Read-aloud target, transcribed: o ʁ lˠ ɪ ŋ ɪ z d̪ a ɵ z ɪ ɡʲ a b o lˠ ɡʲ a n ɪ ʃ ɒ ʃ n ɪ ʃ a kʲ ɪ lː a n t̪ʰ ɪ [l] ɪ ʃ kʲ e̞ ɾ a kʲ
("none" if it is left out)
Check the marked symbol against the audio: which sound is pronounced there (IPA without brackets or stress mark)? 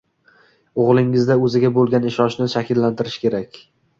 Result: ɾ